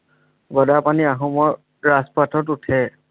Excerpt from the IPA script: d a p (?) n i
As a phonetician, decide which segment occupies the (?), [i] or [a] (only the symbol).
a